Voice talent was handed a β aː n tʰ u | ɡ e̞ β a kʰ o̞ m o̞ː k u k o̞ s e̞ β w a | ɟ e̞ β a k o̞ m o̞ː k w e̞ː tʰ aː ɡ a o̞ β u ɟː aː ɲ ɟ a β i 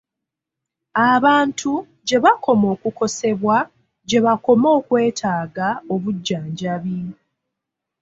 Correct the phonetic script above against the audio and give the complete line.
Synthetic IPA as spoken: a β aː n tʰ u | ɟ e̞ β a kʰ o̞ m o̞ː k u k o̞ s e̞ β w a | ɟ e̞ β a k o̞ m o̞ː k w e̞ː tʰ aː ɡ a o̞ β u ɟː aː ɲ ɟ a β i

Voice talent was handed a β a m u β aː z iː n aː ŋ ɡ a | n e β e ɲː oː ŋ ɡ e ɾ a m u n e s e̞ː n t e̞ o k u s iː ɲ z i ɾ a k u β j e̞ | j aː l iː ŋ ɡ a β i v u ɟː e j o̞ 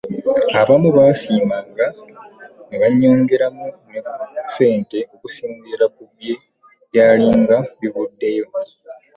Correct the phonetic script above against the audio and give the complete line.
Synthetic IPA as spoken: a β a m u β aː s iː m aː ŋ ɡ a | n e β a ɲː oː ŋ ɡ e ɾ a m u n e s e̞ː n t e̞ o k u s iː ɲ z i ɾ a k u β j e̞ | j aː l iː ŋ ɡ a β i β u dː e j o̞

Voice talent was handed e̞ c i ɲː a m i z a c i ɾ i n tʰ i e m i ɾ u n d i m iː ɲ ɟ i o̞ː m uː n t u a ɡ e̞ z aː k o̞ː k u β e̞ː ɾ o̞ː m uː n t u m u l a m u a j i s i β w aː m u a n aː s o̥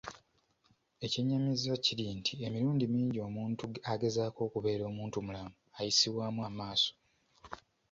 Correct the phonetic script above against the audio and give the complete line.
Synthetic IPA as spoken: e̞ c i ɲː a m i z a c i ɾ i n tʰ i e m i ɾ uː n d i m iː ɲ ɟ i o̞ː m uː n t u a ɡ e̞ z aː k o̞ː k u β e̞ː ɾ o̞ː m uː n t u m u l a m u a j i s i β w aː m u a m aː s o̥

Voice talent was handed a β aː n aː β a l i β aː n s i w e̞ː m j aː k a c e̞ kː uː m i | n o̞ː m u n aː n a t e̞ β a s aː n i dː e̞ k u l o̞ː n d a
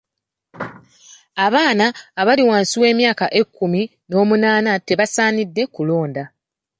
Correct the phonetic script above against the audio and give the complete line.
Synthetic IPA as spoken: a β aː n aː β a l i w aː n s i w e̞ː m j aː k a ʔ e̞ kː u m i | n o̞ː m u n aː n a t e̞ β a s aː n i dː e̞ k u l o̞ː n d a

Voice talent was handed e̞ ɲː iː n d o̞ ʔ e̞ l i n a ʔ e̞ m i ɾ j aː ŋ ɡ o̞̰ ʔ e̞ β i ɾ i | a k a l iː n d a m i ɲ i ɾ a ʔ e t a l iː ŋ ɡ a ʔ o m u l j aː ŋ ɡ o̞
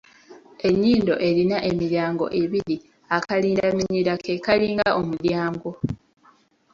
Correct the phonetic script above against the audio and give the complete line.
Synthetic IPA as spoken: e̞ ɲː iː n d o̞ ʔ e̞ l i n a ʔ e̞ m i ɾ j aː ŋ ɡ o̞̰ ʔ e̞ β i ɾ i | a k a l iː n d a m i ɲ i ɾ a k e k a l iː ŋ ɡ a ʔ o m u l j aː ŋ ɡ o̞

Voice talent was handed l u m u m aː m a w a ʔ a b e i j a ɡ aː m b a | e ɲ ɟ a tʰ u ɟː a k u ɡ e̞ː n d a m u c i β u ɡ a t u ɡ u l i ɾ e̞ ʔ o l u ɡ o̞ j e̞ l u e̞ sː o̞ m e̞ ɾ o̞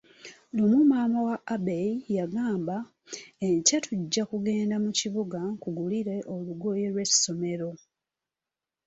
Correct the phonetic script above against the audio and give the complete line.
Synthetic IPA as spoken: l u m u m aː m a w a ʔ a b e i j a ɡ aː m b a | e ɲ c a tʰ u ɟː a k u ɡ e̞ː n d a m u c i β u ɡ a k u ɡ u l i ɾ e̞ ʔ o l u ɡ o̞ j e̞ l w e̞ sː o̞ m e̞ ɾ o̞

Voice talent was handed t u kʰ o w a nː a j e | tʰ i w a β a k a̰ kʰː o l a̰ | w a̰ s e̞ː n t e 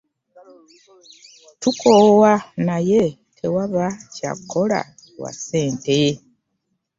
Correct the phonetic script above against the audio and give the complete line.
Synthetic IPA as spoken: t u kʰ o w a n a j e | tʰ e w a β a c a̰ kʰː o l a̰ | w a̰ s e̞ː n t e

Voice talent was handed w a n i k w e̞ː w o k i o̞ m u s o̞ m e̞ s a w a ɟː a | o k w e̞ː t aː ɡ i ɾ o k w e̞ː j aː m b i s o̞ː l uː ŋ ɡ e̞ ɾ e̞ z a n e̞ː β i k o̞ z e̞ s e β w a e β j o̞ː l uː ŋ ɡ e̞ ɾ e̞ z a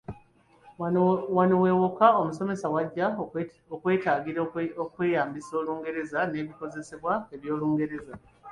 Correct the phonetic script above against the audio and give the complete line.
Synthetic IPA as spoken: w a n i w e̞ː w o k a o̞ m u s o̞ m e̞ s a w a ɟː a | o k w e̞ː t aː ɡ i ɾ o k w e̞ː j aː m b i s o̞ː l uː ŋ ɡ e̞ ɾ e̞ z a n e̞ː β i k o̞ z e̞ s e β w a e β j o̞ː l uː ŋ ɡ e̞ ɾ e̞ z a

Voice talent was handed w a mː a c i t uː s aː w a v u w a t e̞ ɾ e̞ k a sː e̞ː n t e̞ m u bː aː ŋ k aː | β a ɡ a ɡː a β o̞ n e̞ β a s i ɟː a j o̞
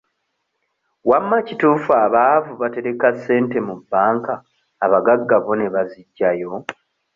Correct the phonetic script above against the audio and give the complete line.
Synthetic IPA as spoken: w a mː a c i t uː f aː β a v u β a t e̞ ɾ e̞ k a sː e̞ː n t e̞ m u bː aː ŋ k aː | β a ɡ a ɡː a β o̞ n e̞ β a z i ɟː a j o̞

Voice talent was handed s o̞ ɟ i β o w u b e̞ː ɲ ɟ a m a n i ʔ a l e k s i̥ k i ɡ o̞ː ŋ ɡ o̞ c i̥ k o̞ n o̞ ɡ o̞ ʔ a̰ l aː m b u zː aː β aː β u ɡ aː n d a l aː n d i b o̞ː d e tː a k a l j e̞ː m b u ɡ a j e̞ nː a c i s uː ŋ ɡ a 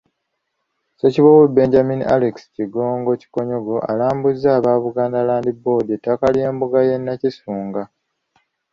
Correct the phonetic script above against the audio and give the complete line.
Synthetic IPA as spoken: s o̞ c i β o w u b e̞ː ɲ ɟ a m i n i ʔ a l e k s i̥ c i ɡ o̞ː ŋ ɡ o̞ c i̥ k o̞ ɲ o̞ ɡ o̞ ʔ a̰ l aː m b u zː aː β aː β u ɡ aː n d a l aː n d i b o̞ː d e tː a k a l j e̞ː m b u ɡ a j e̞ nː a c i s uː ŋ ɡ a

